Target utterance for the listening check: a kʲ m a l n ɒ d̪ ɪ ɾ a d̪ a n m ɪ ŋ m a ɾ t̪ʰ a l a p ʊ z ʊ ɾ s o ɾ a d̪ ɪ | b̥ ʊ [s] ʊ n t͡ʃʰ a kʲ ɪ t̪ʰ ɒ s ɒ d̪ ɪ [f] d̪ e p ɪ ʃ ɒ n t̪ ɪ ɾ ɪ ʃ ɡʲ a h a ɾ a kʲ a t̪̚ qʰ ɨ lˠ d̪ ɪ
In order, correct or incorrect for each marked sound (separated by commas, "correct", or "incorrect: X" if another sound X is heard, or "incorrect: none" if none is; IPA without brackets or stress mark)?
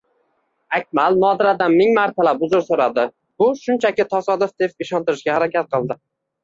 incorrect: ʃ, correct